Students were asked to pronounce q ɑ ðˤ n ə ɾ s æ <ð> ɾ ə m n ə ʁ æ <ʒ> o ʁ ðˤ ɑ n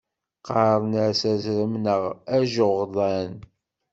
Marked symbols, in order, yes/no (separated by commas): no, yes